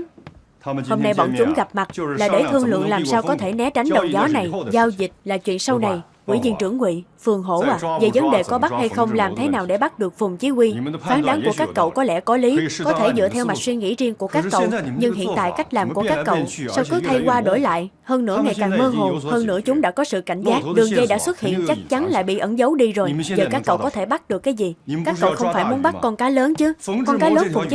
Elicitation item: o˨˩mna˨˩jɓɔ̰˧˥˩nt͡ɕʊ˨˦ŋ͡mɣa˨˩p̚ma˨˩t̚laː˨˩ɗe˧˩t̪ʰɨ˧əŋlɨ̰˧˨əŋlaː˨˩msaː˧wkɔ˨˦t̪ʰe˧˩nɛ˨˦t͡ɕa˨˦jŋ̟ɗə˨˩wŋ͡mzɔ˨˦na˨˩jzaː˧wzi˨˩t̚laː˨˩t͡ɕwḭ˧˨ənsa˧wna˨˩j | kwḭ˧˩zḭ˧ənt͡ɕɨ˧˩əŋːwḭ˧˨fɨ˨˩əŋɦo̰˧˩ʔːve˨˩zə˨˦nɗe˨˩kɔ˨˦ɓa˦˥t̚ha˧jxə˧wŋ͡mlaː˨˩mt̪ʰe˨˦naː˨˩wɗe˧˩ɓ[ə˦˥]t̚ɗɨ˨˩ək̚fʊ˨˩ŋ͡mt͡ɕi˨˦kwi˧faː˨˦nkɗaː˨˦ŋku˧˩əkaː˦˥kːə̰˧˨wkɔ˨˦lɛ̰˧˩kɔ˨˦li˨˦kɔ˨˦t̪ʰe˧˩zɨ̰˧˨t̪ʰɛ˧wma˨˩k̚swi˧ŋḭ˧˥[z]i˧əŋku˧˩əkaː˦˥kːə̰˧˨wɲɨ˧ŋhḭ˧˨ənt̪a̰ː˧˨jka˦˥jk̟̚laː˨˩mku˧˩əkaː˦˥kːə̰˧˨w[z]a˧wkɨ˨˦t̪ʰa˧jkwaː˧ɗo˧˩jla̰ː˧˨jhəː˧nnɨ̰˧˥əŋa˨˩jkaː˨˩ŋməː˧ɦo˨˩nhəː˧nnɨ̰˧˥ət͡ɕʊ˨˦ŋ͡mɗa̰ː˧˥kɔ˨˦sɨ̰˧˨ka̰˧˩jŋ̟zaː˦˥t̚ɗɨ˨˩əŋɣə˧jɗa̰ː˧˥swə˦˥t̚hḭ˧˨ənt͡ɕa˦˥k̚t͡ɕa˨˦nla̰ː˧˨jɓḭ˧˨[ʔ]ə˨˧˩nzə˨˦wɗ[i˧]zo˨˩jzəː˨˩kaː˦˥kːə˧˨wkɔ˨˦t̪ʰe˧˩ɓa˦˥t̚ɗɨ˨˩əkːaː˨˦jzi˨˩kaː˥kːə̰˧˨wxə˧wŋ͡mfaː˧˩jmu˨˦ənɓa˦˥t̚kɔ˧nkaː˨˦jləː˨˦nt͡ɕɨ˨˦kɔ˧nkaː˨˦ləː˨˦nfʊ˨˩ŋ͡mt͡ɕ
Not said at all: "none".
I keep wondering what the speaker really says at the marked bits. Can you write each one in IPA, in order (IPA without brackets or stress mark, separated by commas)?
a˦˥, z, s, ʔ, i˧